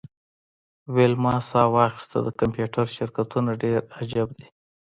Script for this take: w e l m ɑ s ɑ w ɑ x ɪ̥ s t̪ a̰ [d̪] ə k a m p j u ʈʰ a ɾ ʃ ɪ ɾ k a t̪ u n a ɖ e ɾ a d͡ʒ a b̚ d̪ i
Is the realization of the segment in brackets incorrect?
no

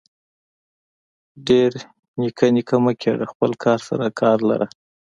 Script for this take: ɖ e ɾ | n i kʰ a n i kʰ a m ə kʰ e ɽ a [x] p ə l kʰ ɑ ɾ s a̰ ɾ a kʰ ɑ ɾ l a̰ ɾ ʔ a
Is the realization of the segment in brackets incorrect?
no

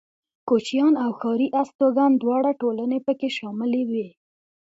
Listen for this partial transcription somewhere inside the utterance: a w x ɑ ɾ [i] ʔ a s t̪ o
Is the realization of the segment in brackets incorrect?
no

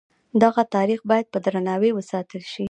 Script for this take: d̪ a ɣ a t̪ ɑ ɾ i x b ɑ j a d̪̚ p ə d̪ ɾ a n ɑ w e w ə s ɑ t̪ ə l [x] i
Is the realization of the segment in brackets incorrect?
yes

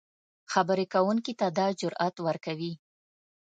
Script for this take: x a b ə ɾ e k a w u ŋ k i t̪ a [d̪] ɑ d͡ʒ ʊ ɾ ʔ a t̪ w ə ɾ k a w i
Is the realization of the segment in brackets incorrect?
no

